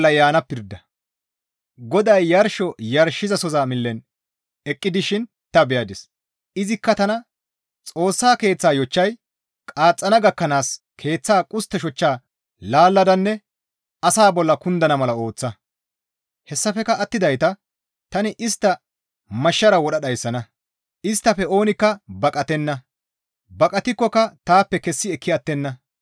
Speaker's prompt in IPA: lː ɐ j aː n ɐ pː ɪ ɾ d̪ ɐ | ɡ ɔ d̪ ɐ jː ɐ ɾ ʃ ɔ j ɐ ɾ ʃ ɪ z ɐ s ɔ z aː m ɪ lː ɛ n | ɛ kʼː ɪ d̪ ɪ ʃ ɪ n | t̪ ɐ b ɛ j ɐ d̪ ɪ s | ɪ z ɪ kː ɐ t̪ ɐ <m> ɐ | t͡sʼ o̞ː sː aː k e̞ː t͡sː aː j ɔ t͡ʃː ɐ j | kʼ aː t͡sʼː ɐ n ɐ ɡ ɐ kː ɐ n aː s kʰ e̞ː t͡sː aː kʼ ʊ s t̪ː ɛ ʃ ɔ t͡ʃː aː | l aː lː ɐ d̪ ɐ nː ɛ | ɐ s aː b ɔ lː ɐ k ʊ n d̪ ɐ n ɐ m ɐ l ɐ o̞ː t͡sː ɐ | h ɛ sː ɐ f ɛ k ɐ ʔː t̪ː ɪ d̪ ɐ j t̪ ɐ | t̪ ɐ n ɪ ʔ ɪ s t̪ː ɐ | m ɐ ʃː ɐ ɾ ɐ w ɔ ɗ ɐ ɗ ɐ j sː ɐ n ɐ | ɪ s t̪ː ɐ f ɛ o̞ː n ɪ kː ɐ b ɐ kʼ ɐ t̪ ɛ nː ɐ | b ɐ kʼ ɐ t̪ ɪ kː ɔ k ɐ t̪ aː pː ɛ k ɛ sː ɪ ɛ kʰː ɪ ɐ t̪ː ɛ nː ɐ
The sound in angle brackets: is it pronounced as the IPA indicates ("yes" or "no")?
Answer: no